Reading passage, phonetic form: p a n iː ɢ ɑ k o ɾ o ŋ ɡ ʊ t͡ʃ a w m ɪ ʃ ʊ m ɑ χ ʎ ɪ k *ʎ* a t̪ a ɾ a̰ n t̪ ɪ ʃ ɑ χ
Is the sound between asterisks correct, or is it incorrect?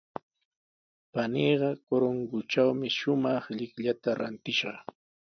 correct